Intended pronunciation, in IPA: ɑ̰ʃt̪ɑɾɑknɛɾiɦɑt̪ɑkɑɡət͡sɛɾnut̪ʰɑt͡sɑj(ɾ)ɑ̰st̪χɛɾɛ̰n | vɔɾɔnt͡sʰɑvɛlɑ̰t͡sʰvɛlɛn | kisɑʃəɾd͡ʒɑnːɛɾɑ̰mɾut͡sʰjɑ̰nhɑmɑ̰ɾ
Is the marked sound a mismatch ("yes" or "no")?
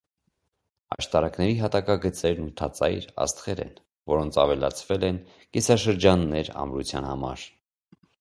no